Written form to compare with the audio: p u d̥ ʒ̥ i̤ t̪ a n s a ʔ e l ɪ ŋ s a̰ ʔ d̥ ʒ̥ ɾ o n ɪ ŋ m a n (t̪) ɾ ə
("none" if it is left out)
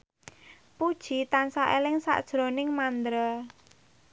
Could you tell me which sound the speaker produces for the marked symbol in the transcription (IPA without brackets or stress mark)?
d̪